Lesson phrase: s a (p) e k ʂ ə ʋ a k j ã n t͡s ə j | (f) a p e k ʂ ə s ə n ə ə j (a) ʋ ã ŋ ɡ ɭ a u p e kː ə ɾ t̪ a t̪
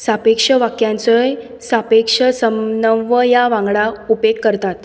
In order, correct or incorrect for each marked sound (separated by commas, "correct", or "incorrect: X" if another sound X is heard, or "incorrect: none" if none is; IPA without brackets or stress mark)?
correct, incorrect: s, correct